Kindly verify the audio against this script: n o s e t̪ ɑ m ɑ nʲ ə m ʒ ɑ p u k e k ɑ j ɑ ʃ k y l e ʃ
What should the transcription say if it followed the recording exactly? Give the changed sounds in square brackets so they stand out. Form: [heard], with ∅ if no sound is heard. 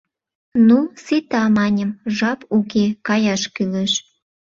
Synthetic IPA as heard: n [u] s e t̪ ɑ m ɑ nʲ ə m ʒ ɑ p u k e k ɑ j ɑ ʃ k y l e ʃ